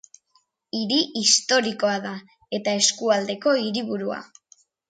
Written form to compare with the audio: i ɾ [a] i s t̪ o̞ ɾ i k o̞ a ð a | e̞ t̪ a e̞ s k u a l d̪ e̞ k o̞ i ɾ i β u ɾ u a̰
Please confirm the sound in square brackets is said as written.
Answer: no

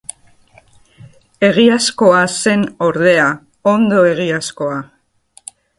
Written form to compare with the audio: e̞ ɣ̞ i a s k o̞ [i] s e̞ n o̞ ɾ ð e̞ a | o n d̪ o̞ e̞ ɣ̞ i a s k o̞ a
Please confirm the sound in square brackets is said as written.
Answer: no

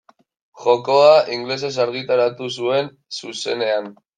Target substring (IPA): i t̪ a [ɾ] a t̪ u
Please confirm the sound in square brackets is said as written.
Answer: yes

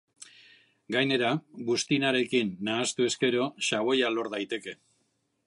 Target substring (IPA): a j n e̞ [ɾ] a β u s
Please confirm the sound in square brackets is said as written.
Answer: yes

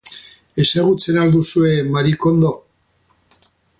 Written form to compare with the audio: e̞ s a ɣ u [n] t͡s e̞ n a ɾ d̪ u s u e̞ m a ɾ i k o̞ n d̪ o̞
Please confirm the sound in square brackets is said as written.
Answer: no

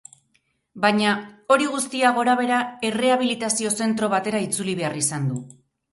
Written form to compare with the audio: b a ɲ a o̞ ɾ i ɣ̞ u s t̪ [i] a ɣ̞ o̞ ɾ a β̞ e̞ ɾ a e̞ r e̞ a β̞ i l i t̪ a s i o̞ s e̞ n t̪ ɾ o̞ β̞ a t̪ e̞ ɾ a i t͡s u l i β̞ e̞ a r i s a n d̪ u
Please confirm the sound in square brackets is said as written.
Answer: yes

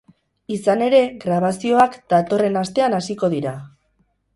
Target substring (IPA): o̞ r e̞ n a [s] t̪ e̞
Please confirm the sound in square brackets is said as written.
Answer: yes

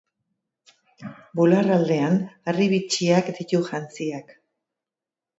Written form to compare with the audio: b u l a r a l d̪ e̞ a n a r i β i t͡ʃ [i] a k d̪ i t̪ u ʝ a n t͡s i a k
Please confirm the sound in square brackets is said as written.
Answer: yes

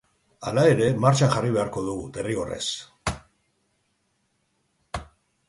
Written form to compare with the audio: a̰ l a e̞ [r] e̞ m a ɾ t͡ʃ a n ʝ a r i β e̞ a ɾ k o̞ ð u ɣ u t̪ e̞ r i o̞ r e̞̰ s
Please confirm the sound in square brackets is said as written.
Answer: no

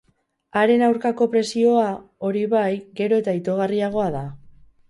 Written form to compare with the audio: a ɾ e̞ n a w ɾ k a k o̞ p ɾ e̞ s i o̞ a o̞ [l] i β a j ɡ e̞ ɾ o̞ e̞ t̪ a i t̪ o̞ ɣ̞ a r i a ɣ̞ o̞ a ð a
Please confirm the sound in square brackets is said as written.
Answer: no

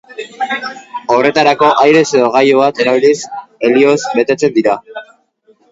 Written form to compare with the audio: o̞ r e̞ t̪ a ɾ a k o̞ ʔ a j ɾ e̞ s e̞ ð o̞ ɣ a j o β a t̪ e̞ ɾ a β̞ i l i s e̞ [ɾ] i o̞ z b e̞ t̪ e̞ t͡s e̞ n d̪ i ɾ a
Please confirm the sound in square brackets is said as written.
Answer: no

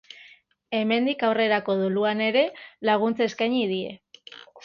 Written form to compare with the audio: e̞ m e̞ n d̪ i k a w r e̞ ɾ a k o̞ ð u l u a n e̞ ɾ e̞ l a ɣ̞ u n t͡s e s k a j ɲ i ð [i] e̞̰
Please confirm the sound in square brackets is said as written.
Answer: yes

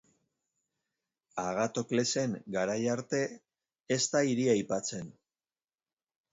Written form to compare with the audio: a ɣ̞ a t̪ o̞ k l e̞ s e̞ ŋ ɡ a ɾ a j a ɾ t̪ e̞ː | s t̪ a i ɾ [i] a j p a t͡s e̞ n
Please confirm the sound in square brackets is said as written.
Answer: yes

